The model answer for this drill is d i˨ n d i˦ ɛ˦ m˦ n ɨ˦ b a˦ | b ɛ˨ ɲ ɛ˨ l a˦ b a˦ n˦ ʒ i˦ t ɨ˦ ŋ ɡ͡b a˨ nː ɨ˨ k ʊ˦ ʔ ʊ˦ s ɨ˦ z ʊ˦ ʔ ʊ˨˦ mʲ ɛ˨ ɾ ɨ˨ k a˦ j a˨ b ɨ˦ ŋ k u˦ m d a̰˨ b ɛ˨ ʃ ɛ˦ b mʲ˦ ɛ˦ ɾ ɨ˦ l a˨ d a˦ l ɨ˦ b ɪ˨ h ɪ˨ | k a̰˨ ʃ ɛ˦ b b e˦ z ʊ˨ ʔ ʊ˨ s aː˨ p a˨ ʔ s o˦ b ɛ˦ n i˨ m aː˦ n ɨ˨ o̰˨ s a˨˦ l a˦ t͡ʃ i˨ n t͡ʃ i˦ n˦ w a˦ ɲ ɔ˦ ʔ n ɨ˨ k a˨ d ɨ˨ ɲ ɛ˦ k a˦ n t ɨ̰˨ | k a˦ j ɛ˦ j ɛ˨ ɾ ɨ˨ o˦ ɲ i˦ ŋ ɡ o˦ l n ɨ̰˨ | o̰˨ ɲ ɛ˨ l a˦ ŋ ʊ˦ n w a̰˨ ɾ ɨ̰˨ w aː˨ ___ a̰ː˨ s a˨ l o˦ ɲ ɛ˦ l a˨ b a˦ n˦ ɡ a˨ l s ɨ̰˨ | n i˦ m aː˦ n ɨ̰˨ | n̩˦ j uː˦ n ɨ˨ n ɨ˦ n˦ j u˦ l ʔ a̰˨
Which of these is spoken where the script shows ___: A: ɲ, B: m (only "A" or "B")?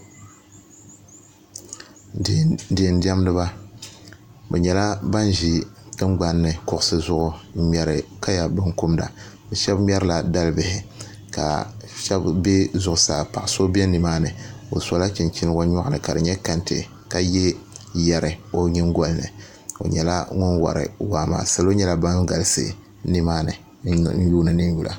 B